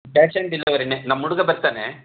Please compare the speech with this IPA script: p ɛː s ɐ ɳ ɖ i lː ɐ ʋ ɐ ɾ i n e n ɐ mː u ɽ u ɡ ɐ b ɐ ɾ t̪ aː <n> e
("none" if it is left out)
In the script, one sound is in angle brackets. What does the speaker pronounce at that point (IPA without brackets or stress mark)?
n